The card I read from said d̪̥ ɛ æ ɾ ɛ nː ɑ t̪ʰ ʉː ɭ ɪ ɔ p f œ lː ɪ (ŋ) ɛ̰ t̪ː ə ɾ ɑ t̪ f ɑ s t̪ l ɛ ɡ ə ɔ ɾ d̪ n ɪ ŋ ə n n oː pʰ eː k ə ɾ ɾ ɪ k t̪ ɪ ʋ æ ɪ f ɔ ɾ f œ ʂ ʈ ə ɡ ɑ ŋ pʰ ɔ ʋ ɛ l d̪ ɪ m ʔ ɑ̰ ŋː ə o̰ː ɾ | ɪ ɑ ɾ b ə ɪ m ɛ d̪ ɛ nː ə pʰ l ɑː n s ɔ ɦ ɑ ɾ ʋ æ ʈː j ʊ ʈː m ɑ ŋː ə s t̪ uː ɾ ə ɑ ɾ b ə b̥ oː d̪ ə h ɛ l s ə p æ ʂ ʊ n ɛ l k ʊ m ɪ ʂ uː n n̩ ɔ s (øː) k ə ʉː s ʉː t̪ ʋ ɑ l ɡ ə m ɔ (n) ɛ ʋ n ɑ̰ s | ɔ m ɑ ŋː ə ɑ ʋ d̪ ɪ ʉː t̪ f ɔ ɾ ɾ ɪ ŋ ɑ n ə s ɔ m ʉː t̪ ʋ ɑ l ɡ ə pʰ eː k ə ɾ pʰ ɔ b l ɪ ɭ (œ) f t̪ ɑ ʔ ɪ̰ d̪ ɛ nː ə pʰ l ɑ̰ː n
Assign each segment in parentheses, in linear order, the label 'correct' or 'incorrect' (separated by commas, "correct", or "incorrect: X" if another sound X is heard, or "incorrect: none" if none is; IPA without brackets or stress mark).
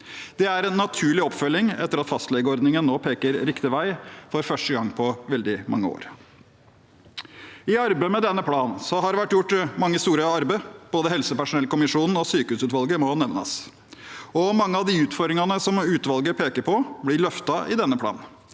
correct, incorrect: yː, correct, correct